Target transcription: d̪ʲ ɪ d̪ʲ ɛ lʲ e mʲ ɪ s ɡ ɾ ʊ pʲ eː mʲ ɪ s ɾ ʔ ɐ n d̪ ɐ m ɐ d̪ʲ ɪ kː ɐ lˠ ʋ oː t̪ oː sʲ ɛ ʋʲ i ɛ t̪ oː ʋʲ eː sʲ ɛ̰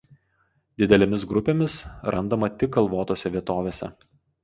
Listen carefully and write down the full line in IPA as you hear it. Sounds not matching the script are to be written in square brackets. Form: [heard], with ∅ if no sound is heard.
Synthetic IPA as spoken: d̪ʲ ɪ d̪ʲ ɛ lʲ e mʲ ɪ s ɡ ɾ ʊ pʲ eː mʲ ɪ s ɾ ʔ ɐ n d̪ ɐ m ɐ [t̪ʲ] ɪ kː ɐ lˠ ʋ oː t̪ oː sʲ ɛ ʋʲ i ɛ t̪ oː ʋʲ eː sʲ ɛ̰

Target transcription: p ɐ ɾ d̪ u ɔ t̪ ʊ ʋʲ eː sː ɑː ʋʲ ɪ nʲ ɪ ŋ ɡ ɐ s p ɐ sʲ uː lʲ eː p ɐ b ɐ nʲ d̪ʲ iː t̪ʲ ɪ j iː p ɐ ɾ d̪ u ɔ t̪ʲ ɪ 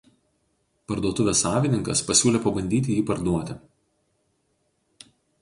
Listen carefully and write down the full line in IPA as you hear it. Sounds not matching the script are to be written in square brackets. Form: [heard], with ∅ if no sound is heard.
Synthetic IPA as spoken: p ɐ ɾ d̪ u ɔ t̪ ʊ ʋʲ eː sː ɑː ʋʲ ɪ nʲ ɪ ŋ [k] ɐ s p ɐ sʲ uː lʲ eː p ɐ b ɐ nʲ d̪ʲ iː t̪ʲ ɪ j iː p ɐ ɾ d̪ u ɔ t̪ʲ ɪ

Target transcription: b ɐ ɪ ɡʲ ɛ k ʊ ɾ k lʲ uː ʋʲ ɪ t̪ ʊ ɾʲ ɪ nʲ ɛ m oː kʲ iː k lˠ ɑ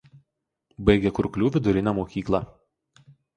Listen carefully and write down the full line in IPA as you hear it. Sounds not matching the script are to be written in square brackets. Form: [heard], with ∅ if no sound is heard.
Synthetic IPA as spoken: b ɐ ɪ ɡʲ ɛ k ʊ ɾ k lʲ uː ʋʲ ɪ [d̪] ʊ ɾʲ ɪ nʲ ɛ m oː kʲ iː k lˠ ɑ

